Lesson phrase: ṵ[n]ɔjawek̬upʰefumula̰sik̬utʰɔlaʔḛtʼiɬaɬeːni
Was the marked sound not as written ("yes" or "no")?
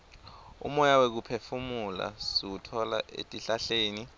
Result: yes